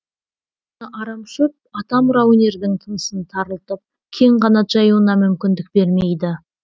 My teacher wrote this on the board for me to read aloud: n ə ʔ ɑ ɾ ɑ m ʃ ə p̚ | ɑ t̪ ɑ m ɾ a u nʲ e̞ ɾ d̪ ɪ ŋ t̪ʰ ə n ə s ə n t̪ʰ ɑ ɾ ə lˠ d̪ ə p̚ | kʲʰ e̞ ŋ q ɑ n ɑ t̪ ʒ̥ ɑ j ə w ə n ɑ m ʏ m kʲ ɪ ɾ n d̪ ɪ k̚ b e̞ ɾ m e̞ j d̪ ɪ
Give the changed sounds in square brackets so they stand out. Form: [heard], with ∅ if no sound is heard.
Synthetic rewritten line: n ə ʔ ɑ ɾ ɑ m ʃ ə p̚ | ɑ t̪ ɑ m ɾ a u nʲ e̞ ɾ d̪ ɪ ŋ t̪ʰ ə n ə s ə n t̪ʰ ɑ ɾ ə lˠ [t̪] ə p̚ | kʲʰ e̞ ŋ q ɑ n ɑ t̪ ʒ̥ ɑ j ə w ə n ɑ m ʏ m kʲ ɪ [∅] n d̪ ɪ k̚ b e̞ ɾ m e̞ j d̪ ɪ